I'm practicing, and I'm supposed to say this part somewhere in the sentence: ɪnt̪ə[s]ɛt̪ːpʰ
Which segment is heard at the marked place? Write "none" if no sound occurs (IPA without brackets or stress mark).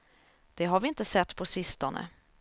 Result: s